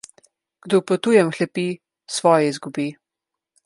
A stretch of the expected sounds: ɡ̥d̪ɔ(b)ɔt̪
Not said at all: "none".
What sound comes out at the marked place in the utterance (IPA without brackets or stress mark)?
p